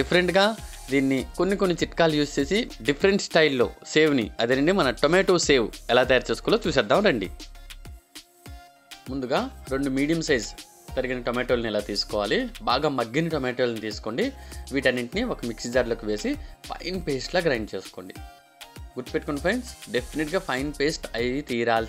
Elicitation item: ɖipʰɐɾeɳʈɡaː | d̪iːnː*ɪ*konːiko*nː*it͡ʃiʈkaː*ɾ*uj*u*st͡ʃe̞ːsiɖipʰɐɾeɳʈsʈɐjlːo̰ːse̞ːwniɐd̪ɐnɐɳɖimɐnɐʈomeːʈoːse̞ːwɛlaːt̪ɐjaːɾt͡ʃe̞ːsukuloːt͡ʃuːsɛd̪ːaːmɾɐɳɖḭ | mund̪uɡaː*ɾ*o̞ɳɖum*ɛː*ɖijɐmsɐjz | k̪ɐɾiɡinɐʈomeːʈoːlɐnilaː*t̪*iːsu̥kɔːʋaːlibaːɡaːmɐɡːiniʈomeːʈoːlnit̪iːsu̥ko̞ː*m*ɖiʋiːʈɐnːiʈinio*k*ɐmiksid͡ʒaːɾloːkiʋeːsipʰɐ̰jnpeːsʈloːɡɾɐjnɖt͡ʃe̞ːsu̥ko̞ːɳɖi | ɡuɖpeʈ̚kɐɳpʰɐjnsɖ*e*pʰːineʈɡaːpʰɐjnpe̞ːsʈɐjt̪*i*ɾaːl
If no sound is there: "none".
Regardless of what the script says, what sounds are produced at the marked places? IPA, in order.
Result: i, nː, l, uː, ɾ, iː, t̪, ɳ, k, e, iː

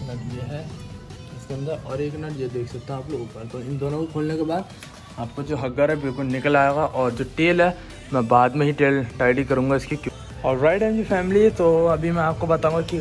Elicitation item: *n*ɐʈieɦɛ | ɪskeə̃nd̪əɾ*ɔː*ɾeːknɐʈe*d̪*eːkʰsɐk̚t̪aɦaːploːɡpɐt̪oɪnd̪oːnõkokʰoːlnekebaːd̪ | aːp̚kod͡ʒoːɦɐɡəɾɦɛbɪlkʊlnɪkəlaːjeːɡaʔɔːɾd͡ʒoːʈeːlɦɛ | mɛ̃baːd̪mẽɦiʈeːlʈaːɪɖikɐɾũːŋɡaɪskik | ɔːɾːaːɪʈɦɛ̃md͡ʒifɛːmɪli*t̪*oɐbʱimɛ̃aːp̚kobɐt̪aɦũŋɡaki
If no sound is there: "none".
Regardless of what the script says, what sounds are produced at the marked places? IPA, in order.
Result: n, ɔː, d̪, t̪

